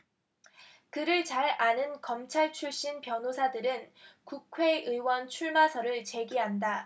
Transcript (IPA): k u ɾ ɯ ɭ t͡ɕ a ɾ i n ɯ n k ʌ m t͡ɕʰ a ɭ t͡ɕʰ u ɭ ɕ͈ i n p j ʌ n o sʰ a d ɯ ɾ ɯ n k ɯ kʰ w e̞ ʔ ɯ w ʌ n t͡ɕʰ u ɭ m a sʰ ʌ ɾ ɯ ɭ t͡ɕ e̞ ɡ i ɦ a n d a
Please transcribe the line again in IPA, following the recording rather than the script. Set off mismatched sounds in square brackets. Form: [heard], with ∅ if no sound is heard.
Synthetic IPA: k [ɯ] ɾ ɯ ɭ t͡ɕ a ɾ [a] n ɯ n k ʌ m t͡ɕʰ a ɭ t͡ɕʰ u ɭ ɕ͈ i n p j ʌ n o sʰ a d ɯ ɾ ɯ n k [u] kʰ w e̞ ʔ ɯ w ʌ n t͡ɕʰ u ɭ m a sʰ ʌ ɾ ɯ ɭ t͡ɕ e̞ ɡ i ɦ a n d a

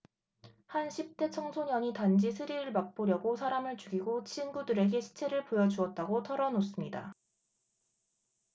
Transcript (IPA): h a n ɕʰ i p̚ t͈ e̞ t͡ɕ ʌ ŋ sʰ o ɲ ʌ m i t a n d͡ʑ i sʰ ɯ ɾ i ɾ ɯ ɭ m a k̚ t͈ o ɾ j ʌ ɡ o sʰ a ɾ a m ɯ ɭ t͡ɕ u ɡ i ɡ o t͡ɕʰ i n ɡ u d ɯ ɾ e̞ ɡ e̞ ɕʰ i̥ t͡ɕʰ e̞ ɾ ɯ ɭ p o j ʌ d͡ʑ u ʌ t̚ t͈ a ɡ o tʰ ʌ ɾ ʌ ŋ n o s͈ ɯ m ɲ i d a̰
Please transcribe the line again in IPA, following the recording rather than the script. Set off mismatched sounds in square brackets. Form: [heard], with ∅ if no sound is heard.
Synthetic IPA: h a n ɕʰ i p̚ t͈ e̞ [t͡ɕʰ] ʌ ŋ sʰ o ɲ ʌ [ɲ] i t a n d͡ʑ i sʰ ɯ ɾ i ɾ ɯ ɭ m a k̚ [p͈] o ɾ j ʌ ɡ o sʰ a ɾ a m ɯ ɭ t͡ɕ u ɡ i ɡ o t͡ɕʰ i n ɡ u d ɯ ɾ e̞ ɡ e̞ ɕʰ i̥ t͡ɕʰ e̞ ɾ ɯ ɭ p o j ʌ d͡ʑ u ʌ t̚ t͈ a ɡ o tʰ ʌ ɾ ʌ [∅] n o s͈ ɯ m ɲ i d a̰

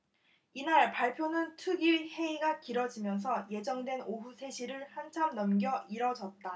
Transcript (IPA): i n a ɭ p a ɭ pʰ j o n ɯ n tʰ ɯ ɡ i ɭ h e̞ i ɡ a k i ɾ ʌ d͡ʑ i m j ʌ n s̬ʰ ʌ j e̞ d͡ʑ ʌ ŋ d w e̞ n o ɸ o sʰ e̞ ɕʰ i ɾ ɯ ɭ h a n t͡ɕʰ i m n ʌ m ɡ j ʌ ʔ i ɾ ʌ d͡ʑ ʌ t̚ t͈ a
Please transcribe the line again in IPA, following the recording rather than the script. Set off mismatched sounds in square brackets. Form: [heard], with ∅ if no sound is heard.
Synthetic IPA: i n a ɭ p a ɭ pʰ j o n ɯ n tʰ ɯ ɡ i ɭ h e̞ i ɡ a k i ɾ ʌ d͡ʑ i m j ʌ n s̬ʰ ʌ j e̞ d͡ʑ ʌ ŋ d w e̞ n o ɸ [u] sʰ e̞ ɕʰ i ɾ ɯ ɭ h a n t͡ɕʰ [a] m n ʌ m ɡ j ʌ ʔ i ɾ ʌ d͡ʑ ʌ t̚ t͈ a

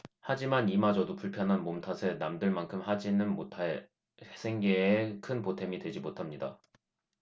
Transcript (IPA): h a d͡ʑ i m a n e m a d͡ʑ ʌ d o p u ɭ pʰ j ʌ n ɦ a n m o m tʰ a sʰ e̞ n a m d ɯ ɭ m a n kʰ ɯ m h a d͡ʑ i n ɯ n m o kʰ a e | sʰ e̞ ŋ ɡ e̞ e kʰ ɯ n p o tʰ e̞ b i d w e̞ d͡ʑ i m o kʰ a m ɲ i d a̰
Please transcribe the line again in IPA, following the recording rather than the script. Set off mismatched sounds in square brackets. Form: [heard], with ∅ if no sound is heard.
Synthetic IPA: h a d͡ʑ i m a n [i] m a d͡ʑ ʌ d o p u ɭ pʰ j ʌ n ɦ a n m o m tʰ a sʰ e̞ n a m d ɯ ɭ m a n kʰ ɯ m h a d͡ʑ i n ɯ n m o [tʰ] a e | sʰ e̞ ŋ ɡ e̞ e kʰ ɯ n p o tʰ e̞ [m] i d w e̞ d͡ʑ i m o [tʰ] a m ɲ i d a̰

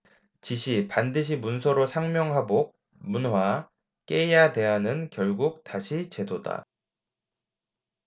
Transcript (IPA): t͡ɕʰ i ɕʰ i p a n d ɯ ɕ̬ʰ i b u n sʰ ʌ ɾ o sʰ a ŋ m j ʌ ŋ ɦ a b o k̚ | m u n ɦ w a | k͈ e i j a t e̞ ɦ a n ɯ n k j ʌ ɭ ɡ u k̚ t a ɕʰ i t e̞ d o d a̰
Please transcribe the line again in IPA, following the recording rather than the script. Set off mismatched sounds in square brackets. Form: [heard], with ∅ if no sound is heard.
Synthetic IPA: [t͡ɕ] i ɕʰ i p a n d ɯ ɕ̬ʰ i [m] u n sʰ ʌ ɾ o sʰ a ŋ m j ʌ ŋ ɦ a b o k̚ | m u n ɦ w a | k͈ e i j a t e̞ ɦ a n ɯ n k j ʌ ɭ ɡ u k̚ t a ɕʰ i [t͡ɕ] e̞ d o d a̰

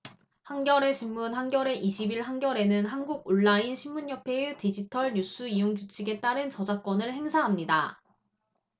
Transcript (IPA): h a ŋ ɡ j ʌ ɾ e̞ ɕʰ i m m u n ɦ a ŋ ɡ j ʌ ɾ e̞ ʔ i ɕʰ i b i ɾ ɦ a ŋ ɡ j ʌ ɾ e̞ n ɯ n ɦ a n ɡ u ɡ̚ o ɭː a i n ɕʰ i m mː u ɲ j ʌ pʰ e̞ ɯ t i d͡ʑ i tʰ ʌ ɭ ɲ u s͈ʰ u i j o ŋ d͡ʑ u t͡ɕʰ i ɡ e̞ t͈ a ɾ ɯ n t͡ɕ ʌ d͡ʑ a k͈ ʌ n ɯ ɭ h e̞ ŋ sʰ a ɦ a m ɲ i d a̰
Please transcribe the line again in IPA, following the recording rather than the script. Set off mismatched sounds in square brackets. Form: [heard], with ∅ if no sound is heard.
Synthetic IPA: h a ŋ ɡ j ʌ ɾ e̞ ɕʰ i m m u n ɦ a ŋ ɡ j ʌ ɾ e̞ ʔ i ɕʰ i b i [ɭ] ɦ a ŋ ɡ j ʌ ɾ e̞ n ɯ n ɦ a n ɡ u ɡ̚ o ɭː a i n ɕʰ i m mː u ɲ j ʌ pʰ e̞ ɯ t i d͡ʑ i tʰ ʌ ɭ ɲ u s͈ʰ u i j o ŋ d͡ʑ u t͡ɕʰ i ɡ e̞ t͈ a ɾ ɯ n t͡ɕ ʌ d͡ʑ a k͈ ʌ n ɯ ɭ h e̞ ŋ sʰ a ɦ a m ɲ i d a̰

